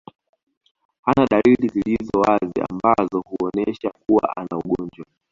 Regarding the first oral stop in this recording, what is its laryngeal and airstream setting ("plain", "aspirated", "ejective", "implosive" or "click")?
implosive